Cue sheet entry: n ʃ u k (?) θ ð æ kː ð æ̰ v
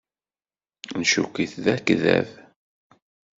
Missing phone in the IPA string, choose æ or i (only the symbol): i